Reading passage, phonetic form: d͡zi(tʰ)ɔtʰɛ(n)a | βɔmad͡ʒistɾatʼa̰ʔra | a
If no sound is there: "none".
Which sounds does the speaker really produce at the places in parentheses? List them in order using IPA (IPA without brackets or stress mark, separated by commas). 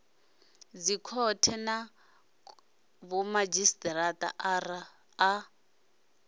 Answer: kʰ, n